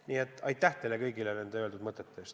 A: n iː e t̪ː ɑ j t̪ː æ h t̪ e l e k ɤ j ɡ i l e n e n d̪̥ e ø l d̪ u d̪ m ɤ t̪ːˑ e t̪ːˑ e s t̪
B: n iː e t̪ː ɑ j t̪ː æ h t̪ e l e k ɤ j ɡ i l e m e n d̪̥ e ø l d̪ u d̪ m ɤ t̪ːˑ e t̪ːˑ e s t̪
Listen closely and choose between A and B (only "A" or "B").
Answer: A